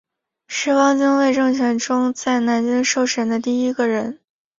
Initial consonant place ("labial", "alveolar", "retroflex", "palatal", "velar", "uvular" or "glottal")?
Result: retroflex